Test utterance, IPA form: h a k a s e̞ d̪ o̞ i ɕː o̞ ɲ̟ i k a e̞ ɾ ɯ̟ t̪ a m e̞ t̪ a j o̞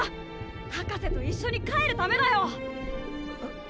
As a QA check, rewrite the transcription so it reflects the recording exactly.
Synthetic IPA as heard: h a k a s e̞ t̪ o̞ i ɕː o̞ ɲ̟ i k a e̞ ɾ ɯ̟ t̪ a m e̞ d̪ a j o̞

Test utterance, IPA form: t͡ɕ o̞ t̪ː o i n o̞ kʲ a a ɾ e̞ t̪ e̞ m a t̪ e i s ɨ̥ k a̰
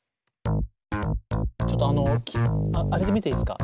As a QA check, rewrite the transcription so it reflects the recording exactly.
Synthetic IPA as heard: t͡ɕ o̞ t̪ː o a n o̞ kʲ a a ɾ e̞ d̪ e̞ m i t̪ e i s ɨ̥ k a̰

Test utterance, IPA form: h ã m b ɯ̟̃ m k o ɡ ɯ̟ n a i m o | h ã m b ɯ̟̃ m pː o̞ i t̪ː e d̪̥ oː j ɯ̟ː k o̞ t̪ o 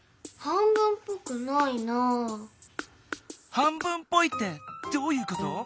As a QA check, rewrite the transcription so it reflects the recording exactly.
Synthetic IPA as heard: h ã m b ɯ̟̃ m p o k ɯ̟ n a i n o | h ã m b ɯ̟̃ m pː o̞ i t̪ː e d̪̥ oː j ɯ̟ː k o̞ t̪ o

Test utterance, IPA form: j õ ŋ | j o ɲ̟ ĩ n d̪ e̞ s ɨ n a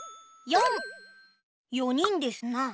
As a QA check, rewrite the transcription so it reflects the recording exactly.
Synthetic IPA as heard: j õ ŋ | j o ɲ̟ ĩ n d̪ e̞ s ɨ n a

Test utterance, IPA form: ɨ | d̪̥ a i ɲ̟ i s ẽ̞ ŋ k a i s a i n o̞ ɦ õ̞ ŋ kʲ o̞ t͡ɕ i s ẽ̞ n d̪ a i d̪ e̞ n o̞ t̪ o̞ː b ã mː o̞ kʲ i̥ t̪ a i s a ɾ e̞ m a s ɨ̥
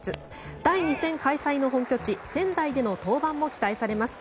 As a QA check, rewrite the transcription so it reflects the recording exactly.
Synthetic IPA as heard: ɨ | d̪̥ a i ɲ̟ i s ẽ̞ ŋ k a i s a i n o̞ ɦ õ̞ ŋ kʲ o̞ t͡ɕ i s ẽ̞ n d̪ a i d̪ e̞ n o̞ t̪ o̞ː b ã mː o̞ kʲ i̥ t̪ a i s a ɾ e̞ m a s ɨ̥

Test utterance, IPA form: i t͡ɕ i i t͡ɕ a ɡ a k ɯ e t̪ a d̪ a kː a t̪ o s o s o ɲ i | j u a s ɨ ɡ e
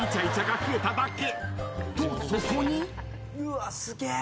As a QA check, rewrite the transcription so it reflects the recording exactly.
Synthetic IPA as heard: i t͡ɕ a i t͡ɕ a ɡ a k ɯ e t̪ a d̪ a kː e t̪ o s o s o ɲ i | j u a s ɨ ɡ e

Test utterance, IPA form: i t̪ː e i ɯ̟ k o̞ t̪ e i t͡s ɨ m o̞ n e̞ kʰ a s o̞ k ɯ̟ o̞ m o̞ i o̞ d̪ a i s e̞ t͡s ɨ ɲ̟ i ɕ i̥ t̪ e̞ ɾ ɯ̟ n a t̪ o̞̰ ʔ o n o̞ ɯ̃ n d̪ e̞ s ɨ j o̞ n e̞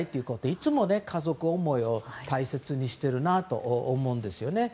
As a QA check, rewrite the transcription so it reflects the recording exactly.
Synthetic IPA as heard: i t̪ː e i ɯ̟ k o̞ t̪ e i t͡s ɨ m o̞ n e̞ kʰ a z o̞ k ɯ̟ o̞ m o̞ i o̞ t̪ a i s e̞ t͡s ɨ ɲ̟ i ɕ i̥ t̪ e̞ ɾ ɯ̟ n a t̪ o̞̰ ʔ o m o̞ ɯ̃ n d̪ e̞ s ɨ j o̞ n e̞

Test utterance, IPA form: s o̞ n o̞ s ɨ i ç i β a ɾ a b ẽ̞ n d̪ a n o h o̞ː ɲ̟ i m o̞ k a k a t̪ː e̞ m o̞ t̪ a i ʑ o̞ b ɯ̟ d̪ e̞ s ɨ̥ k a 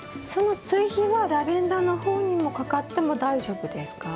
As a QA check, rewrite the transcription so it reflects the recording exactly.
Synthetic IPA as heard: s o̞ n o̞ t͡s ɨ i ç i β a ɾ a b ẽ̞ n d̪ a n o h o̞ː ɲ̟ i m o̞ k a k a t̪ː e̞ m o̞ d̪ a i ʑ o̞ b ɯ̟ d̪ e̞ s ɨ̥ k a

